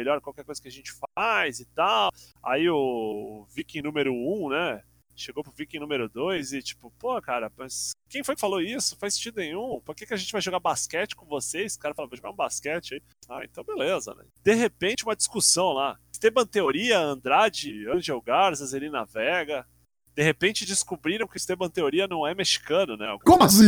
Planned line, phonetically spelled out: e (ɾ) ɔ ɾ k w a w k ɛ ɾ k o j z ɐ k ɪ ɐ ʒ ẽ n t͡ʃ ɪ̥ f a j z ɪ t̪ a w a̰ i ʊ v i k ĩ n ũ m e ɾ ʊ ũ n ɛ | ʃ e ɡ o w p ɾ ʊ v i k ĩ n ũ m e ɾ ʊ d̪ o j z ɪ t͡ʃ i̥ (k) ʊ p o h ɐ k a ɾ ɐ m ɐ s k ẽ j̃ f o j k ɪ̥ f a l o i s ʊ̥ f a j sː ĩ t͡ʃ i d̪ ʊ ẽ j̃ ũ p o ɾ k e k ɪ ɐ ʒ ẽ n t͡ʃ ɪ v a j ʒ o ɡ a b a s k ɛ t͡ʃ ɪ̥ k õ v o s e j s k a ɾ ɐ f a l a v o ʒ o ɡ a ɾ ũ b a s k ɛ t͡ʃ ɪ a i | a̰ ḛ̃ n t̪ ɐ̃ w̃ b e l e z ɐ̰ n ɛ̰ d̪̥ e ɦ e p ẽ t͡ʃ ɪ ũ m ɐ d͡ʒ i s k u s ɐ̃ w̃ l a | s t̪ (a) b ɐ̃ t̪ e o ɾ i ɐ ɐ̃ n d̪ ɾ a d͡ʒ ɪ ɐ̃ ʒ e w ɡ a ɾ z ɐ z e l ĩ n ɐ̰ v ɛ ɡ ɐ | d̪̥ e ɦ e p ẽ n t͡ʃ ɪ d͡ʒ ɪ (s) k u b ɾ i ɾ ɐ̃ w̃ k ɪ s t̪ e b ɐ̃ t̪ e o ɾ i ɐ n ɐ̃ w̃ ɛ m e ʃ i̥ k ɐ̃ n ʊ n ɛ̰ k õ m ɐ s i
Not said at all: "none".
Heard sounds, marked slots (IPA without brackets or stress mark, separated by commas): ʎ, p, e, s